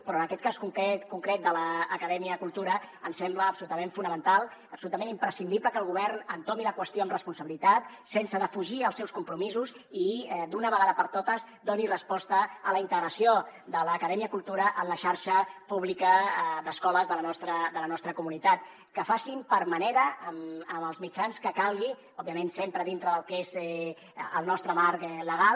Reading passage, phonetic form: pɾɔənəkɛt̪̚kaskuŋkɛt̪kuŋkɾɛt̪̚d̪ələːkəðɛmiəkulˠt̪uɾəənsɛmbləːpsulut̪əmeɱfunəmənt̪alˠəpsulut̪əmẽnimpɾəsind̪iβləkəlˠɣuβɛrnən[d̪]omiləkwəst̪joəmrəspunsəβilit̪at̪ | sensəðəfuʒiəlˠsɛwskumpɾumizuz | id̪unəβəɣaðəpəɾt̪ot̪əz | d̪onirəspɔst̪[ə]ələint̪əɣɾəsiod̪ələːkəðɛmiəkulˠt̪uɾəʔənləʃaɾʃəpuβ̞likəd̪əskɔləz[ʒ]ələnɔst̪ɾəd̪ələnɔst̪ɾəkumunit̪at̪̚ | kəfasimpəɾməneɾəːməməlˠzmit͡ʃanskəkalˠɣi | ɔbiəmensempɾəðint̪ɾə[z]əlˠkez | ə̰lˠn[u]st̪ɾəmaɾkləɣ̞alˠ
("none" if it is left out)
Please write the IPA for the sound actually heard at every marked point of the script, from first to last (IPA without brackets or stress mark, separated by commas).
t̪, ə, ð, ð, ɔ